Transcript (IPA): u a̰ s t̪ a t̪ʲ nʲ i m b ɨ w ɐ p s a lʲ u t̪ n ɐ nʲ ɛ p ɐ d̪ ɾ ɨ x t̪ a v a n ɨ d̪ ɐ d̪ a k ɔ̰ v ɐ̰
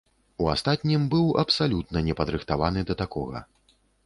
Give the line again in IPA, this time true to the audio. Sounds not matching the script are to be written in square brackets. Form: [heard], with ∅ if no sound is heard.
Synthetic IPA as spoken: u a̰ s t̪ a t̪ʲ nʲ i m b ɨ w ɐ p s a lʲ u t̪ n ɐ nʲ ɛ p ɐ d̪ ɾ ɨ x t̪ a v a n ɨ d̪ ɐ [t̪] a k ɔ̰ [ɣ] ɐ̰